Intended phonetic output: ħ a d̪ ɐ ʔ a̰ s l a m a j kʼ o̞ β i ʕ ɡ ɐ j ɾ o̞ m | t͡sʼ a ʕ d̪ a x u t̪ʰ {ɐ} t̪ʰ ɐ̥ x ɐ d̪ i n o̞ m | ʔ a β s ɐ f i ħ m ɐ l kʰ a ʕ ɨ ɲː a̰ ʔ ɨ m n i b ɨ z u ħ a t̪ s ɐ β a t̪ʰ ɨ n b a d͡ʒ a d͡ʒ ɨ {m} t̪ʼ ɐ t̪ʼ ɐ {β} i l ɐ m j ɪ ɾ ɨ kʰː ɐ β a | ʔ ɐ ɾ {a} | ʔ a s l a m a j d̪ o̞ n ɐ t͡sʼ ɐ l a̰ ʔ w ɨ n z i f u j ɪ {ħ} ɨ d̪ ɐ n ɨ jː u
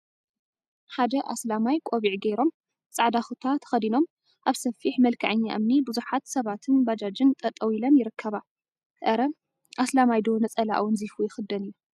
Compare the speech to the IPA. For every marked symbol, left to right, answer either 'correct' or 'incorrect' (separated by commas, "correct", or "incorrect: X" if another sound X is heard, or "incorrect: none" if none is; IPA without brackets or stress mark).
incorrect: a, incorrect: n, incorrect: w, incorrect: ɐ, incorrect: x